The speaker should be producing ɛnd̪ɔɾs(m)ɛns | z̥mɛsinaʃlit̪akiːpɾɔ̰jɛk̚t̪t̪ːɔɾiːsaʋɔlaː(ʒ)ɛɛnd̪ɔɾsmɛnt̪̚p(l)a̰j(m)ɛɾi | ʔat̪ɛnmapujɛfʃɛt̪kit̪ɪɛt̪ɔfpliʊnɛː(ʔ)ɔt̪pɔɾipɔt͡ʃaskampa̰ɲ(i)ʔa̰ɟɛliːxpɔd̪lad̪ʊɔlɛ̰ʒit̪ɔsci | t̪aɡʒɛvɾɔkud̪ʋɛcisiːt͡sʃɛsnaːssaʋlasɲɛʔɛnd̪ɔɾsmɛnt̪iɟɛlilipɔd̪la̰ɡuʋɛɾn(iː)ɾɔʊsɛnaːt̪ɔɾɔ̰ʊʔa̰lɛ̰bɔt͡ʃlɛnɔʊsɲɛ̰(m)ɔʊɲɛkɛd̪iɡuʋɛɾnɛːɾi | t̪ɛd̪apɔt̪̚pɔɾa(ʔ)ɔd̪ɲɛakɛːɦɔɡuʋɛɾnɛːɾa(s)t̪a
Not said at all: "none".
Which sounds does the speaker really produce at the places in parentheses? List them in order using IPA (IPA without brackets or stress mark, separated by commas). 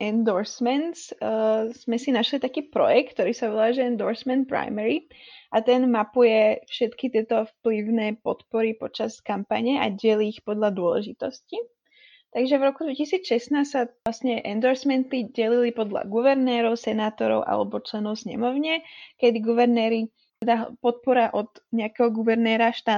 m, ʒ, ɾ, m, p, ɛ, ɛː, m, ʔ, ʃ